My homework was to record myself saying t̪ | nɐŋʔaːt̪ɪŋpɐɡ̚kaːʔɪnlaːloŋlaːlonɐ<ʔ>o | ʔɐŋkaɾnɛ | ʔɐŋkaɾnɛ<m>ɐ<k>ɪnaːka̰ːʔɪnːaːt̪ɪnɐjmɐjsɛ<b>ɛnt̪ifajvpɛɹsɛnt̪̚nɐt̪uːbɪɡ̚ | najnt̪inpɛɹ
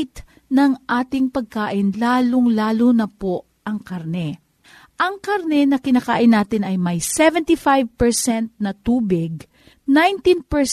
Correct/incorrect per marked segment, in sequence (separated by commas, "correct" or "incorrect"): incorrect, incorrect, correct, incorrect